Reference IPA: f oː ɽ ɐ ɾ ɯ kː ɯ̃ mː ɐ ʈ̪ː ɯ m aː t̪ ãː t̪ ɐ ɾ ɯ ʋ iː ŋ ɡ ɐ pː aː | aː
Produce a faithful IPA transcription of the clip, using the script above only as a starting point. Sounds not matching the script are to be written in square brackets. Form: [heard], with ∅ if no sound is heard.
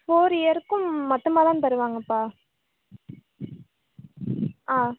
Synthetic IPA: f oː [ɾ] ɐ ɾ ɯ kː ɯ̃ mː ɐ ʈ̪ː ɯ m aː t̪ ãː t̪ ɐ ɾ ɯ ʋ [aː] ŋ ɡ ɐ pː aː | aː